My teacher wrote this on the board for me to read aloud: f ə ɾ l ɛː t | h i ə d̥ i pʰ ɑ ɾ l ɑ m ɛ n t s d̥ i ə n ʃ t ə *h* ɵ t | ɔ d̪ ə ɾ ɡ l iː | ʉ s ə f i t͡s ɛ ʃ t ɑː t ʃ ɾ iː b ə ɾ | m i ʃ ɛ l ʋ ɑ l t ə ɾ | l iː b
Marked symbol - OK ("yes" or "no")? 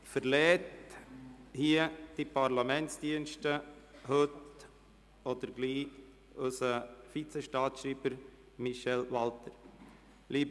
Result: yes